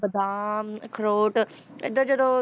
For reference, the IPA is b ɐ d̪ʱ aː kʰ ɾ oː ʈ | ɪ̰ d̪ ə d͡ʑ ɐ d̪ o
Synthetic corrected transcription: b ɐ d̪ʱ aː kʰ ɾ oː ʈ | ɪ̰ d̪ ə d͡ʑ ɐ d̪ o